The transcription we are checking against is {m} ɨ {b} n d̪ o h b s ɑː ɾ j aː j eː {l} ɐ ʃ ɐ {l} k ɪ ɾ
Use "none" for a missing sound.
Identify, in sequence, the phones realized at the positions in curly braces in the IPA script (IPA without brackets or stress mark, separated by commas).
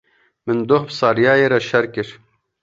m, none, ɾ, ɾ